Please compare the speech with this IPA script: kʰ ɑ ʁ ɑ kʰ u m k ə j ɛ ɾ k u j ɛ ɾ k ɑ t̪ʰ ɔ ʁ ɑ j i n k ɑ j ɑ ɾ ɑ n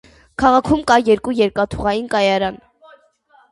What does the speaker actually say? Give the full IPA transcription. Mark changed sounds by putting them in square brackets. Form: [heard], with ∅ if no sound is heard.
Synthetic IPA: kʰ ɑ ʁ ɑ kʰ u m k [ɑ] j ɛ ɾ k u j ɛ ɾ k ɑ t̪ʰ [u] ʁ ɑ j i n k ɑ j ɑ ɾ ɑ n